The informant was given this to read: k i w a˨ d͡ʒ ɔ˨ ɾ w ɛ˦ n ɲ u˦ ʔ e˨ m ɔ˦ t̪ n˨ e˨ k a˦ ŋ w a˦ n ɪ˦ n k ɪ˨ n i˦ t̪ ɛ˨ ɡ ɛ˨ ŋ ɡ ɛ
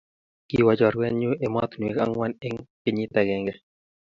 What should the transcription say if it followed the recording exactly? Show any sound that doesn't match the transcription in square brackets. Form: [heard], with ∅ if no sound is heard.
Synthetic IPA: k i w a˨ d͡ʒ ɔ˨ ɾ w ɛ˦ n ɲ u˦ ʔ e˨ m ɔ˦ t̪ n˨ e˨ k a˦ ŋ w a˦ n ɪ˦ [ŋ] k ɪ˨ [ɲ] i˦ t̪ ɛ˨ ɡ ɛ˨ ŋ ɡ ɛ